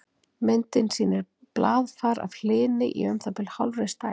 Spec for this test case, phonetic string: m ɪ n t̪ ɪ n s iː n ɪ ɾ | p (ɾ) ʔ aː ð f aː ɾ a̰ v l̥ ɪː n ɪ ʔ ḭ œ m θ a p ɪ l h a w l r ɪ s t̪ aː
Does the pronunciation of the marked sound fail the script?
yes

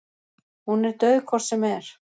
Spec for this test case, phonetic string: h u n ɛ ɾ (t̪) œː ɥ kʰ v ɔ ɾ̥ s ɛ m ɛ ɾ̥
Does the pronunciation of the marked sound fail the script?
no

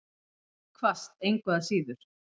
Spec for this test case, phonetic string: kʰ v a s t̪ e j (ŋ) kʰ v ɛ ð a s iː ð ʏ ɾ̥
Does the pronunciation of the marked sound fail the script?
no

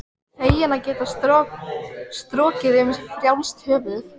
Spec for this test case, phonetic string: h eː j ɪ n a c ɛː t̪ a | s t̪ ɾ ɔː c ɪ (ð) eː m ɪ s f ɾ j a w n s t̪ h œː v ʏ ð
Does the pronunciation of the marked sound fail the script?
no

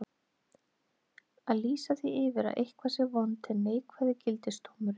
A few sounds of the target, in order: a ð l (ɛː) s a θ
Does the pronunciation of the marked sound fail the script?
yes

